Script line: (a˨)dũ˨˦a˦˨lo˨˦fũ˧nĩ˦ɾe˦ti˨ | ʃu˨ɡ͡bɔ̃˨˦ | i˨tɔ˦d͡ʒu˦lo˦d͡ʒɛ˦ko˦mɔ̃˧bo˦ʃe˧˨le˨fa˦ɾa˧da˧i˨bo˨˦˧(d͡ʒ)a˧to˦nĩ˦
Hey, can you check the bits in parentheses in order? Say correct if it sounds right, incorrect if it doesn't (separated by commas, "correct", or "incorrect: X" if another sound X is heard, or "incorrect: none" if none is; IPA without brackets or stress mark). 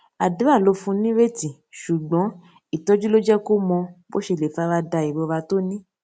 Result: correct, incorrect: none